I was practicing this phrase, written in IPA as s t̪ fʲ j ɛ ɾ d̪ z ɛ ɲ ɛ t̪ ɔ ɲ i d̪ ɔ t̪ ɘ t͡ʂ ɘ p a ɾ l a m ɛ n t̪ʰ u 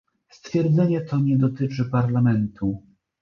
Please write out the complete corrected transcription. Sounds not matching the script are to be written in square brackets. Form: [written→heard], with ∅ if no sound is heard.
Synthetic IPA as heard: s t̪ fʲ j ɛ ɾ d̪ z ɛ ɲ ɛ t̪ ɔ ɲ [i→ɛ] d̪ ɔ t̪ ɘ t͡ʂ ɘ p a ɾ l a m ɛ n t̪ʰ u